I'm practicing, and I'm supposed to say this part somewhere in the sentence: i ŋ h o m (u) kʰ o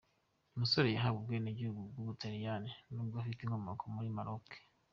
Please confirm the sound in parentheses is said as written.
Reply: no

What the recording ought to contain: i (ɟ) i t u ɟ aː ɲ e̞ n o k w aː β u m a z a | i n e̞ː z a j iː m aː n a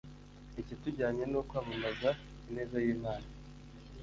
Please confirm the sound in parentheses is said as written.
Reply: no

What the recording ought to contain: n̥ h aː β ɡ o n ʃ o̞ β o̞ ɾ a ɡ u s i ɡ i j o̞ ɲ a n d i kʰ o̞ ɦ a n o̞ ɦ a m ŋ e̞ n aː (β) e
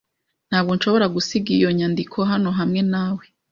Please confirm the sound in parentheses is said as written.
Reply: no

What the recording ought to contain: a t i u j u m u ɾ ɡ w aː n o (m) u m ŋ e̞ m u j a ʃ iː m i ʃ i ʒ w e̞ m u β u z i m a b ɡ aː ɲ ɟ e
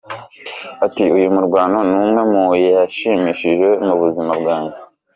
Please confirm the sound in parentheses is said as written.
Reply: no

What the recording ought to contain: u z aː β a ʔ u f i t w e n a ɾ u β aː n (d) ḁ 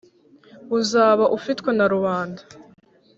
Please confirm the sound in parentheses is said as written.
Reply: yes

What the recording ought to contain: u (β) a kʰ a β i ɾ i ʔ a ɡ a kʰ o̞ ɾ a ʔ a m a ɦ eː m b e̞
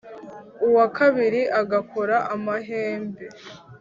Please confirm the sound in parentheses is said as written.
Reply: no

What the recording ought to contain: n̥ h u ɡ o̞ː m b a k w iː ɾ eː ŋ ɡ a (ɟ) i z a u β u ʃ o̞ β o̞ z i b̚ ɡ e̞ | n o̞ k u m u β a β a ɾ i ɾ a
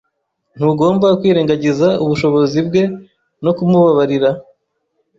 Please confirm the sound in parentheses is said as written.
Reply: yes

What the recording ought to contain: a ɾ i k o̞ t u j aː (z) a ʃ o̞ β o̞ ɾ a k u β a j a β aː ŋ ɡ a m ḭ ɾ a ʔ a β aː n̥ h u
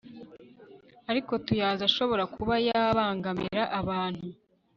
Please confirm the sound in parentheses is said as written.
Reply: yes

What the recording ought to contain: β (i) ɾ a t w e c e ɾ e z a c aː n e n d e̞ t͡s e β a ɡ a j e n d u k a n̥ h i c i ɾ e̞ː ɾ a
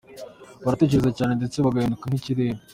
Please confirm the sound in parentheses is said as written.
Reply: no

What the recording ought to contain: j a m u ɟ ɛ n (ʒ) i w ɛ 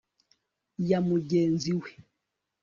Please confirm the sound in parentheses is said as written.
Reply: no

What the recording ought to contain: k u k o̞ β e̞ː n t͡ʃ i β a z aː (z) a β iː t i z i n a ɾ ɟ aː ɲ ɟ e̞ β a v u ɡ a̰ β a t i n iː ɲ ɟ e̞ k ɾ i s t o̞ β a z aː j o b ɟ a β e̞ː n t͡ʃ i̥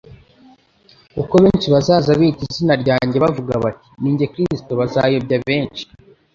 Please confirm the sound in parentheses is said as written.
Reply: yes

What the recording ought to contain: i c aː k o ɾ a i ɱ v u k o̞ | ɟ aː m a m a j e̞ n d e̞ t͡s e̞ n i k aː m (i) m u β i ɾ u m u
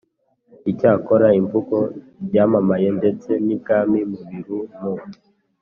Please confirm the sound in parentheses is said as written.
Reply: yes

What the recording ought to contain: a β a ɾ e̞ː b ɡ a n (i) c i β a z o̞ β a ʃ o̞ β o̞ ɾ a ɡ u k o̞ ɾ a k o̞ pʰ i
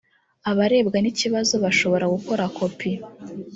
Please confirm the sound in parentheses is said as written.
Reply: yes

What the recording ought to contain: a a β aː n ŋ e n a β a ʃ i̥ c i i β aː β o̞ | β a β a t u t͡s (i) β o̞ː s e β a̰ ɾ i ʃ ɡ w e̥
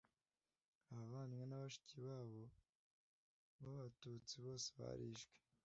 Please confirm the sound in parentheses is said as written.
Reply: yes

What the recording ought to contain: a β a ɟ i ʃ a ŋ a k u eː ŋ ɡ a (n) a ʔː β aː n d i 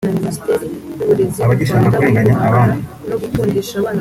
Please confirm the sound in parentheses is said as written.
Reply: no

